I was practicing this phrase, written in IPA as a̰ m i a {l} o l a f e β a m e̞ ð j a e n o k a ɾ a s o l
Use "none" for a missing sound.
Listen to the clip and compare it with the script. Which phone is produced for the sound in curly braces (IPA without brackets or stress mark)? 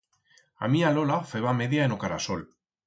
l